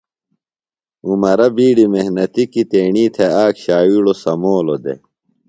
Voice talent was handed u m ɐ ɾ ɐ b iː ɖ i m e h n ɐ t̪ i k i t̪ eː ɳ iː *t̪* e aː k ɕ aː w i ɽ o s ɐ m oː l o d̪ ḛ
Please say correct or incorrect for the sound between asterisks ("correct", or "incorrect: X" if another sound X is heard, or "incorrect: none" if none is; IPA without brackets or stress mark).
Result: incorrect: t̪ʰ